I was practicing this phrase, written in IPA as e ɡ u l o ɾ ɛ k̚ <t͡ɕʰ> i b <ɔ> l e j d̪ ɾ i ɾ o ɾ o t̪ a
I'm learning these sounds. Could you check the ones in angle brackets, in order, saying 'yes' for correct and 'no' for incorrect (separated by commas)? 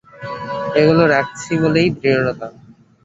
yes, no